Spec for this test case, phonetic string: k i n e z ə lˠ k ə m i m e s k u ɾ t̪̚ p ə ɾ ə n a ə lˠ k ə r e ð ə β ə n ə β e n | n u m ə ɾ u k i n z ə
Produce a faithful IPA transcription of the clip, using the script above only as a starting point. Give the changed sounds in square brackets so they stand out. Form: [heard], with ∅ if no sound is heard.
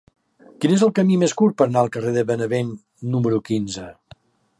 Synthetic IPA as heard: k i n e z ə lˠ k ə m i m e s k u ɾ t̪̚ p ə ɾ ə n a ə lˠ k ə r e ð ə β ə n ə β e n | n u m ə ɾ u k i n z ə